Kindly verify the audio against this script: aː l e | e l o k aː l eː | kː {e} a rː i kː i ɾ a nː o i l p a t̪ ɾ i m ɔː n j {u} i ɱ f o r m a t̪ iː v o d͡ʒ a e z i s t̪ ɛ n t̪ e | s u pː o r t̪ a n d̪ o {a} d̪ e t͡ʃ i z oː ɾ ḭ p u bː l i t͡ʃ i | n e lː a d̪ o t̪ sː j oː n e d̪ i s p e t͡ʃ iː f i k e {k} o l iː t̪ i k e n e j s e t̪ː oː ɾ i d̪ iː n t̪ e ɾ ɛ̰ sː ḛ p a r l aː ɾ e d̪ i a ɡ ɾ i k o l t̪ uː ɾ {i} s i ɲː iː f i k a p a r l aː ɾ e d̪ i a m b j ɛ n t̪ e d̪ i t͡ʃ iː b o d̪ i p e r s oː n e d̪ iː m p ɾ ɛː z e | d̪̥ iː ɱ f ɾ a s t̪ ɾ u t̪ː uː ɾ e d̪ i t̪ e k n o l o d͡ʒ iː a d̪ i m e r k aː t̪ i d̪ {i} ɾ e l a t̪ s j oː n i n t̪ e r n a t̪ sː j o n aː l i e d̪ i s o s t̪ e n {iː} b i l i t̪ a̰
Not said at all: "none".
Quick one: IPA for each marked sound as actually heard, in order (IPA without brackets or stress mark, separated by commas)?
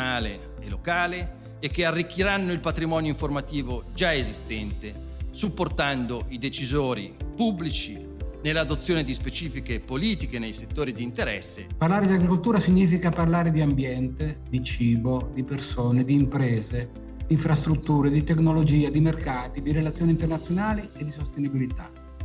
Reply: e, o, i, p, a, i, i